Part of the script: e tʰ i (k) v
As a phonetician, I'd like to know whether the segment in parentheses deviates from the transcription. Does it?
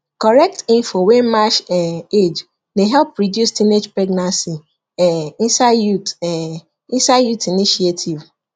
yes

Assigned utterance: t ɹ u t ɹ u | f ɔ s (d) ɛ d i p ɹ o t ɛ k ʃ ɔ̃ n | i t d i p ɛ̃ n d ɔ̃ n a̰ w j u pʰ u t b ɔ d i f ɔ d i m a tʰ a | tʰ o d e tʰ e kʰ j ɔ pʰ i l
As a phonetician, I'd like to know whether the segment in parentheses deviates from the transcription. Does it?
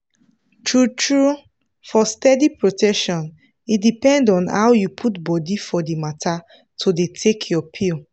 yes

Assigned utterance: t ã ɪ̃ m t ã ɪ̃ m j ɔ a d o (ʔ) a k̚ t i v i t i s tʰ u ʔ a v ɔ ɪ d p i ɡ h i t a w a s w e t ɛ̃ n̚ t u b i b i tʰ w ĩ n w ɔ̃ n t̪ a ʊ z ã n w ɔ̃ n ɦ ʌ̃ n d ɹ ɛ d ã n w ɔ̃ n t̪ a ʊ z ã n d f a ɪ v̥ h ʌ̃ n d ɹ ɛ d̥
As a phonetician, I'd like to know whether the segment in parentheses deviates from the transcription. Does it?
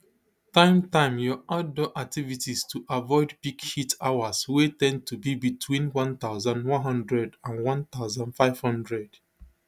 no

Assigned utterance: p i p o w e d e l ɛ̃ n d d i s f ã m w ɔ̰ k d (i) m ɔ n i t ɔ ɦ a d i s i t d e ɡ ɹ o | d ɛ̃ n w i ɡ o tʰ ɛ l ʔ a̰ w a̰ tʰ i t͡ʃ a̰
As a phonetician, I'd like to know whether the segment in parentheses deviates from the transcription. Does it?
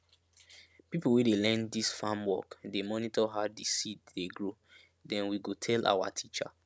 yes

